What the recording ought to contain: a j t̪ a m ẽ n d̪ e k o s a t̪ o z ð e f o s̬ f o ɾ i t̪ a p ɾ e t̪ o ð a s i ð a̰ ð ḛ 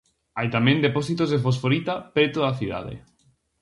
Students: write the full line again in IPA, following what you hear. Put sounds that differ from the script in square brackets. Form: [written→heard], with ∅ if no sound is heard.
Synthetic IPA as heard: a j t̪ a m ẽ n d̪ e [k→p] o s [a→i] t̪ o z ð e f o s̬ f o ɾ i t̪ a p ɾ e t̪ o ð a [s→θ] i ð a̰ ð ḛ